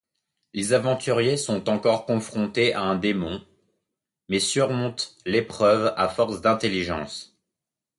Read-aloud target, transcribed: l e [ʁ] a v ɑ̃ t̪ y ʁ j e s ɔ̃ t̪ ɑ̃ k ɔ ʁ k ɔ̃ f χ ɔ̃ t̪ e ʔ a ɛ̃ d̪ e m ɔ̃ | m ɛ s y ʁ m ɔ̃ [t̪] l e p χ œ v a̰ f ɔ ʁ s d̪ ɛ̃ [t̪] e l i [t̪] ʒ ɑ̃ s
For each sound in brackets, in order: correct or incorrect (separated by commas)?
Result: incorrect, correct, correct, incorrect